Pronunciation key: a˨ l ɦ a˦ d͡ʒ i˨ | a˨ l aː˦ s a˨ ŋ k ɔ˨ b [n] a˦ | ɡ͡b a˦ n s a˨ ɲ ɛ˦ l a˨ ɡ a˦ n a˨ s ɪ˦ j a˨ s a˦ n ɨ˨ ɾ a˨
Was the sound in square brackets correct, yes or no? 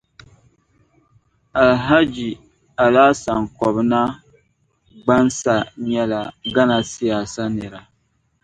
yes